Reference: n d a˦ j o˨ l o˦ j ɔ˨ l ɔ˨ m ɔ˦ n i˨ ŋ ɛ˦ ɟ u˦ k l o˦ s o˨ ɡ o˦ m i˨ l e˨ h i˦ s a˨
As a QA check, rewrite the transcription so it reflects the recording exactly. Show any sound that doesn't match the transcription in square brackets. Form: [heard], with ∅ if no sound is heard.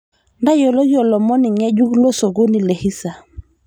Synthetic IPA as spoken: n d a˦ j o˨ l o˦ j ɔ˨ l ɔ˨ m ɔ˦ n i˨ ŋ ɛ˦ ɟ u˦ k l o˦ s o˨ ɡ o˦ [n] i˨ l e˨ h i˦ s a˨